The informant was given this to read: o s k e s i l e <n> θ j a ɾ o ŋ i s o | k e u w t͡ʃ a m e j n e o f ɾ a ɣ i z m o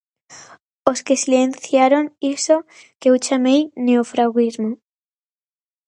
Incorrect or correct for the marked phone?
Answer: correct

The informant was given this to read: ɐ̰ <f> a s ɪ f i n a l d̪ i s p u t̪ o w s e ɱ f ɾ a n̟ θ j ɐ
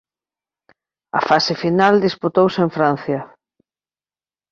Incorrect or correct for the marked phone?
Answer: correct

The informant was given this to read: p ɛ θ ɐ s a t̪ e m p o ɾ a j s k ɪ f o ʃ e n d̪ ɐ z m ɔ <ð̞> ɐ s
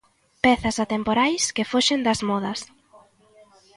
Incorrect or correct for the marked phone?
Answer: correct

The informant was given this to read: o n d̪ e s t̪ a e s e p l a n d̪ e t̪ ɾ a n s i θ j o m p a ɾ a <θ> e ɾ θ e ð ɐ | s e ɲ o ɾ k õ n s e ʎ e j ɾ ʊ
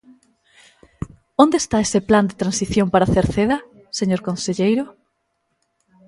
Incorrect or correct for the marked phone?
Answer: correct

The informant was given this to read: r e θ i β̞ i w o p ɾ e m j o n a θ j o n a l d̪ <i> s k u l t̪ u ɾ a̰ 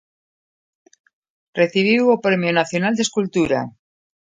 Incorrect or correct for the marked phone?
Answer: incorrect: e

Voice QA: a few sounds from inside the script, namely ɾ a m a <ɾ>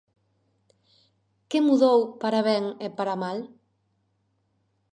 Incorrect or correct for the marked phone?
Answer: incorrect: l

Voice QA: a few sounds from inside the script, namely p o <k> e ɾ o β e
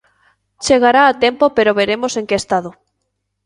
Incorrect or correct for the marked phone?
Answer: incorrect: p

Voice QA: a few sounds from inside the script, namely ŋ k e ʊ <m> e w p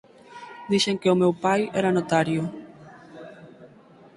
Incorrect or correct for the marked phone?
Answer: correct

